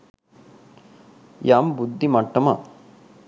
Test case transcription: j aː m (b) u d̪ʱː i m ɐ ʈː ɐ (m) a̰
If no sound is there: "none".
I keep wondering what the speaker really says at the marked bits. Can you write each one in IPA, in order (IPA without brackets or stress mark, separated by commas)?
b, m